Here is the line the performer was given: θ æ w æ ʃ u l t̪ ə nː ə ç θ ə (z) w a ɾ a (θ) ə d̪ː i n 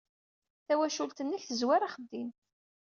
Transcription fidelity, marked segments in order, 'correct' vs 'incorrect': correct, incorrect: χ

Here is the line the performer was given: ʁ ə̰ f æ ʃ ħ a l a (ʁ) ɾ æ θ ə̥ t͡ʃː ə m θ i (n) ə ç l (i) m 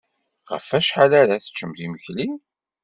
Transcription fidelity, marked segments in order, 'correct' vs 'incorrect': incorrect: none, incorrect: m, correct

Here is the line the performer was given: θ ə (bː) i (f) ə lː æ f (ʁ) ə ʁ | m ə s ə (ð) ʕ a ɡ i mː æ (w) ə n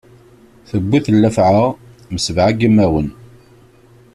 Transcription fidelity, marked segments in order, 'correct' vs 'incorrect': correct, incorrect: θ, incorrect: ʕ, incorrect: v, correct

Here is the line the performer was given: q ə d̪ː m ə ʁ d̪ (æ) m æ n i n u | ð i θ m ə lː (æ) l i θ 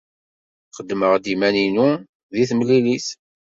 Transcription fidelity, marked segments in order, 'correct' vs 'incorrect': incorrect: i, incorrect: i

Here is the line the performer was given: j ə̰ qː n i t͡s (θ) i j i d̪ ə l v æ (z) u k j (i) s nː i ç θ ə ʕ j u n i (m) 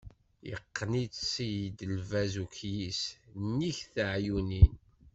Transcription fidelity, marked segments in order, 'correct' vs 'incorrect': incorrect: s, correct, correct, incorrect: n

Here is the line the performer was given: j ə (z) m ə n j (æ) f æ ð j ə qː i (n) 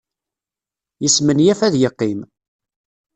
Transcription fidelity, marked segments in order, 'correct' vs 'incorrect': incorrect: s, correct, incorrect: m

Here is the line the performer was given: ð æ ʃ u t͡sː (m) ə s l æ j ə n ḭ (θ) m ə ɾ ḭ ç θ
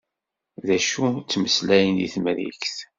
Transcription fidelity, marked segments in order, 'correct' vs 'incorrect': correct, correct

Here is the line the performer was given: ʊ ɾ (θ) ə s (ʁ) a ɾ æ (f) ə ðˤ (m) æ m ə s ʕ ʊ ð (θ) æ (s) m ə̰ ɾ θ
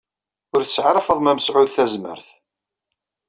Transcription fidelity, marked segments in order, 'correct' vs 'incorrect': correct, incorrect: ʕ, correct, correct, correct, incorrect: z

